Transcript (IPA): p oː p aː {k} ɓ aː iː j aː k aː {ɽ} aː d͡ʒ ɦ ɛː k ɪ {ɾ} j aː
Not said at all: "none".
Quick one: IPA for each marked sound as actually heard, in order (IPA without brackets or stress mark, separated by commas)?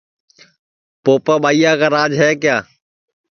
none, ɾ, none